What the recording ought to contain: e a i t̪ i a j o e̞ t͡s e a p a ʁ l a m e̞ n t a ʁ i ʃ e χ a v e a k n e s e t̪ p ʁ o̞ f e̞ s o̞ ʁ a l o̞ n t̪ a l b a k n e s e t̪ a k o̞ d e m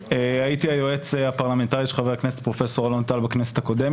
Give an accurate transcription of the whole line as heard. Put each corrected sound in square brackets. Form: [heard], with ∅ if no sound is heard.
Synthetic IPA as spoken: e a i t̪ i a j o e̞ t͡s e a p a ʁ l a m e̞ n t a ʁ i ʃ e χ a v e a k n e s e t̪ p ʁ o̞ f e̞ s o̞ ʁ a l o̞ n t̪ a l b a k n e s e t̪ a k o̞ d e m

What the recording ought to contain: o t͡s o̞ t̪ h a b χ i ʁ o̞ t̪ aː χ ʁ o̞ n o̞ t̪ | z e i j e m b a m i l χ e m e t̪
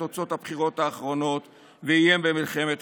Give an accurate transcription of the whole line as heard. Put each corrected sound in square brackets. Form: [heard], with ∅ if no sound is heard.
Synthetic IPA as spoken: o t͡s o̞ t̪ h a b χ i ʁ o̞ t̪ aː χ ʁ o̞ n o̞ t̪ | [v] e i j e m b [e] m i l χ e m e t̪

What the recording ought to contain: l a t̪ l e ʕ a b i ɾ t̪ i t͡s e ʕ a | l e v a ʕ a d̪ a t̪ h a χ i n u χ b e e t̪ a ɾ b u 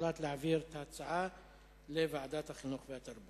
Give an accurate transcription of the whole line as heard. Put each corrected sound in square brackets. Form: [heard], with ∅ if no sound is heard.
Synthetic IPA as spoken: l a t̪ l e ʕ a [v] i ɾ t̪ [a] t͡s [a] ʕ a | l e v a ʕ a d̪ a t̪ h a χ i n u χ [v] e [a] t̪ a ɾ b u

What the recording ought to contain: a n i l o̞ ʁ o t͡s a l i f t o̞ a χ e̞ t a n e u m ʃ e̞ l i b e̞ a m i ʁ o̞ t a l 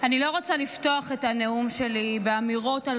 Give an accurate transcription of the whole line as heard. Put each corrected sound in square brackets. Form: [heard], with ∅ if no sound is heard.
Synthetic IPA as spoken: a n i l o̞ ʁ o t͡s a l i f t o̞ a χ e̞ t a n e u m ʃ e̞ l i b e̞ a m i ʁ o̞ t a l

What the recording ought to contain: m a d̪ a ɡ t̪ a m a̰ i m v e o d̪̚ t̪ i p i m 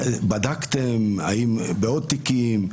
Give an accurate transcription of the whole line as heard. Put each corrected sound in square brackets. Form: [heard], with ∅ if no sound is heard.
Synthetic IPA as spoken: [b] a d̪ a [k] t̪ [e] m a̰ i m [b] e o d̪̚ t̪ i [k] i m

